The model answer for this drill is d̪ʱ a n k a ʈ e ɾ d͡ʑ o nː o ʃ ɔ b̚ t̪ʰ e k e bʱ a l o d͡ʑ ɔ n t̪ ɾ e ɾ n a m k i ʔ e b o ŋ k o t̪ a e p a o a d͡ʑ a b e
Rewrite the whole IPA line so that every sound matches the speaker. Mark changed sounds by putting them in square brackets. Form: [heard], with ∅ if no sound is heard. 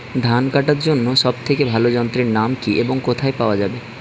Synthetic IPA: d̪ʱ a n k a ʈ [a] ɾ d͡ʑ o nː o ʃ ɔ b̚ t̪ʰ e k e bʱ a l o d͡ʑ ɔ n t̪ ɾ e ɾ n a m k i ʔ e b o ŋ k o [t̪ʰ] a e p a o a d͡ʑ a b e